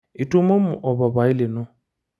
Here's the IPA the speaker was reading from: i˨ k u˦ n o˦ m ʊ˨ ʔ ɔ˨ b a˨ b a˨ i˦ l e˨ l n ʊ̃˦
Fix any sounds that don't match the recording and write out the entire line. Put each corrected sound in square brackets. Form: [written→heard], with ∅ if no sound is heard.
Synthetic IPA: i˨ [k→t] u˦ [n→m] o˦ m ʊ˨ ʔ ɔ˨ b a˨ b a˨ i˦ l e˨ [l→∅] n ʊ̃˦